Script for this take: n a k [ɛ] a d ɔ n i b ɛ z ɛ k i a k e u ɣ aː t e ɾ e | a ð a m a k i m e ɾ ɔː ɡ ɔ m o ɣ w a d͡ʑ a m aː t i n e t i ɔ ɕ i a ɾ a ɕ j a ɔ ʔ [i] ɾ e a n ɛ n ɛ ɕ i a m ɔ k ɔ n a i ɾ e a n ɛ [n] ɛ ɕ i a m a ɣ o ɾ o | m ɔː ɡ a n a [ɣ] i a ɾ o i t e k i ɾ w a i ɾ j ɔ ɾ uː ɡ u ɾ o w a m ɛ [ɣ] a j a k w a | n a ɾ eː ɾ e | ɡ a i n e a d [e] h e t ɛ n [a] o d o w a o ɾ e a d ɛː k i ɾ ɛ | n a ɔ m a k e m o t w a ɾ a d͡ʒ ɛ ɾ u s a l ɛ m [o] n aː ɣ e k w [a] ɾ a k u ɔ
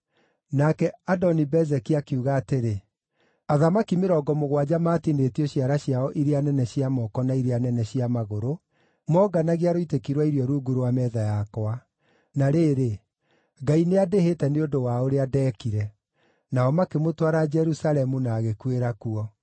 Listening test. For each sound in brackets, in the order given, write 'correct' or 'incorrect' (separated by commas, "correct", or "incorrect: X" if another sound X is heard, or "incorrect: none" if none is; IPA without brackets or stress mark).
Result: correct, correct, correct, correct, incorrect: ð, correct, incorrect: e, incorrect: u, incorrect: e